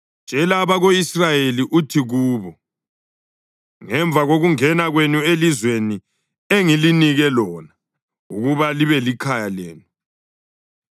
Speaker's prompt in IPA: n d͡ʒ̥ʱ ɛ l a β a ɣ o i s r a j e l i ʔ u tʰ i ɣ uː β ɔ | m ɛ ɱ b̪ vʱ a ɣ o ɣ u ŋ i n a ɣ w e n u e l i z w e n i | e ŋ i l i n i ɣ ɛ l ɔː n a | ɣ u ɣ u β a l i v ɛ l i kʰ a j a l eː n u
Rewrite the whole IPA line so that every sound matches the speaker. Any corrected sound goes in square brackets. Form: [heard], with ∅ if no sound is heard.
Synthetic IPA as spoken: n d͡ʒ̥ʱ ɛ l a β a ɣ o i s r a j e l i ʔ u tʰ i ɣ uː β ɔ | [ŋ] ɛ ɱ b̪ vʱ a ɣ o ɣ u ŋ [ɛ] n a ɣ w e n u e l i z w e n i | e ŋ i l i n i ɣ ɛ l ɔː n a | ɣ u ɣ u β a l i [β] ɛ l i kʰ a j a l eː n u